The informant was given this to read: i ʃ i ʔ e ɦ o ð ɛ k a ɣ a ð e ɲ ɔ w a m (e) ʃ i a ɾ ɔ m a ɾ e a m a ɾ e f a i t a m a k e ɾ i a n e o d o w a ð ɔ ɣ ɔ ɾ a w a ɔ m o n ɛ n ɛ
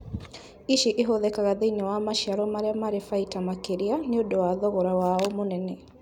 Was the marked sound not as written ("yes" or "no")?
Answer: yes